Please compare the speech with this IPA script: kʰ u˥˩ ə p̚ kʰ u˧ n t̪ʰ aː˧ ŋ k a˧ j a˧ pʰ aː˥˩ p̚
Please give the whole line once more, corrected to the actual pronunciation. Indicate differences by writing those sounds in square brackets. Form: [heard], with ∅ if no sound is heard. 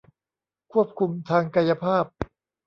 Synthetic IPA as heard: kʰ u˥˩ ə p̚ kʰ u˧ [m] t̪ʰ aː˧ ŋ k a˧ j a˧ pʰ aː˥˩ p̚